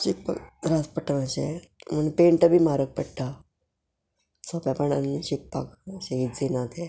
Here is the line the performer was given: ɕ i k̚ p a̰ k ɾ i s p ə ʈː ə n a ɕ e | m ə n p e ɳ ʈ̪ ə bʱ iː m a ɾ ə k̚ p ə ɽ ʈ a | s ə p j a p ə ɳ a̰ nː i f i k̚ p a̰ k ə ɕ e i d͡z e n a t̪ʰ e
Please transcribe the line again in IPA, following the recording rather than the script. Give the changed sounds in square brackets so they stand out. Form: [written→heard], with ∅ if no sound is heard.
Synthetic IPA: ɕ i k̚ p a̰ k ɾ [i→a] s p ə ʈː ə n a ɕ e | m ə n p e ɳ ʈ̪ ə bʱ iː m a ɾ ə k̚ p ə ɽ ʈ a | s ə p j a p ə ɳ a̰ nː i [f→ɕ] i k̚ p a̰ k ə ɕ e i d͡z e n a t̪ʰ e